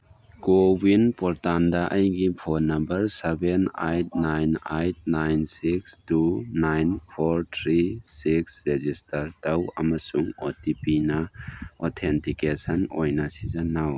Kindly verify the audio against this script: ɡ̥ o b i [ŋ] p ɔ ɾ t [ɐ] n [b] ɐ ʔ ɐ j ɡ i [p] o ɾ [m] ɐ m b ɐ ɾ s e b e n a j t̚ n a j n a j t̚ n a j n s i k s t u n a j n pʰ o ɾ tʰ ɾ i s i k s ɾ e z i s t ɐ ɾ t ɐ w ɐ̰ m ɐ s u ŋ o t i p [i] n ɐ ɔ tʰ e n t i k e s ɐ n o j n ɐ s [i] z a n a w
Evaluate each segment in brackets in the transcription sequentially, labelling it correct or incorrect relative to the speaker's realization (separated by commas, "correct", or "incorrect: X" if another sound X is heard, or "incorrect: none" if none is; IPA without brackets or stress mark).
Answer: incorrect: n, incorrect: a, incorrect: d, incorrect: pʰ, incorrect: n, correct, correct